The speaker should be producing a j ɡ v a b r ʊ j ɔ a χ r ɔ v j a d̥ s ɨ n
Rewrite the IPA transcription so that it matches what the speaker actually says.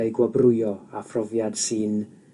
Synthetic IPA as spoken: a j ɡ w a b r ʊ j ɔ a f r ɔ v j a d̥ s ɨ n